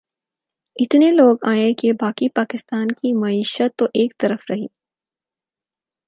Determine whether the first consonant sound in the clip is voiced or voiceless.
voiceless